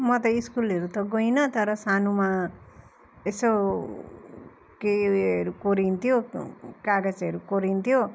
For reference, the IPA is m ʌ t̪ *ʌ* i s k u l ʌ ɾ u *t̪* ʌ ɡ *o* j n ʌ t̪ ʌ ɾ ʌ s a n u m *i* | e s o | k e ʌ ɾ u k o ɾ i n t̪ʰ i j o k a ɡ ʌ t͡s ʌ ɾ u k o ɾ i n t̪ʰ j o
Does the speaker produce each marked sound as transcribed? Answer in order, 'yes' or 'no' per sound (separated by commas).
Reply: yes, yes, yes, no